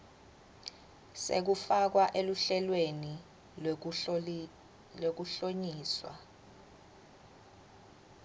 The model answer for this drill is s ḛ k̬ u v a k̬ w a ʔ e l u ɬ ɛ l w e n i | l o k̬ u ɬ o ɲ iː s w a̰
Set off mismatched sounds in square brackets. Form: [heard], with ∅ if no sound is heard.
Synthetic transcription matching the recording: s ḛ k̬ u [f] a k̬ w a ʔ e l u ɬ ɛ l w e n i | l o k̬ u ɬ o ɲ iː s w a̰